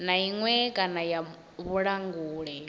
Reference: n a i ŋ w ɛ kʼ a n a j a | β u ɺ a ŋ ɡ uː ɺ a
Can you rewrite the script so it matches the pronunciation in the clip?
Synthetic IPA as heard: n a i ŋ w ɛ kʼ a n a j a | β u ɺ a ŋ ɡ uː ɺ ɛ

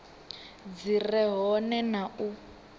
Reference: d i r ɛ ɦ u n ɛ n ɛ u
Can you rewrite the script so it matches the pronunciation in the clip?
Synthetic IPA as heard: d͡z i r ɛ ɦ ɔ n ɛ n a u

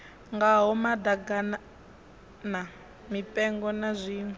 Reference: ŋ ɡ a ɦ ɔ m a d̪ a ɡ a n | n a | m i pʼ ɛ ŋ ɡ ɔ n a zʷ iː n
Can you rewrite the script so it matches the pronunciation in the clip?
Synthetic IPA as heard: ŋ ɡ a ɦ ɔ m a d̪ a ɡ a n | n a | m i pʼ ɛ ŋ ɡ ɔ n a zʷ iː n

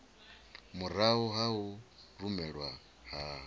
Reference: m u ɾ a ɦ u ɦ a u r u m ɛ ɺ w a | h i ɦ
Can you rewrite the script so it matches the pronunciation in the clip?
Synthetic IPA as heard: m u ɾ a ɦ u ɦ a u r u m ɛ ɺ w a | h a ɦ

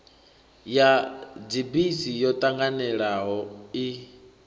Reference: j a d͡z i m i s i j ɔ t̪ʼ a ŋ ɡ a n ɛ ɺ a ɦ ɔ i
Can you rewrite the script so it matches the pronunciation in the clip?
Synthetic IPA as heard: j a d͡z i b i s i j ɔ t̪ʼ a ŋ ɡ a n ɛ ɺ a ɦ ɔ i

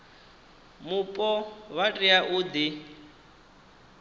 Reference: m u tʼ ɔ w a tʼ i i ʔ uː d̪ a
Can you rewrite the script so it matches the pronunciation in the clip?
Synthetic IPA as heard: m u pʼ ɔ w a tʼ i a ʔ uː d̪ i

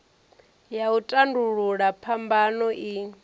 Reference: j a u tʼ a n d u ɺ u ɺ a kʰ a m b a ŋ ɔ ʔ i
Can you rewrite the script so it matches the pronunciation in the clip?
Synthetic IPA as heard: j a u tʼ a n d u ɺ u ɺ a pʰ a m b a n ɔ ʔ i

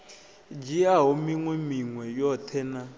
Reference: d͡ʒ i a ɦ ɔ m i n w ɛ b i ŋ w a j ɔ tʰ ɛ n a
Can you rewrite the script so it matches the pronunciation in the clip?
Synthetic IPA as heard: d͡ʒ i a ɦ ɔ m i ŋ w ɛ m i ŋ w ɛ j ɔ tʰ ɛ n a

